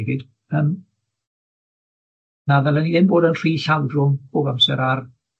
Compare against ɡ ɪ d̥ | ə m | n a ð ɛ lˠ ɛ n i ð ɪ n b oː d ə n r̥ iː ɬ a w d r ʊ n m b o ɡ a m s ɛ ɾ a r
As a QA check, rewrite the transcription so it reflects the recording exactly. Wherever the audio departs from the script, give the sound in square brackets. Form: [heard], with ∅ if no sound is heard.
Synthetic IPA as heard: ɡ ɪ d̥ | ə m | n a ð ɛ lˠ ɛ n i ð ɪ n b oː d ə n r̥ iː ɬ a w d r ʊ [∅] m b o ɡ a m s ɛ ɾ a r